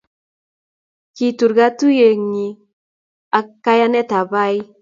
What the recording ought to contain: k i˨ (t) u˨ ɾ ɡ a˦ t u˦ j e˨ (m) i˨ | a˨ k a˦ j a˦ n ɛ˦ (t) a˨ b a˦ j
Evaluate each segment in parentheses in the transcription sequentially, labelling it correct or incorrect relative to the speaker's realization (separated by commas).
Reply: correct, incorrect, correct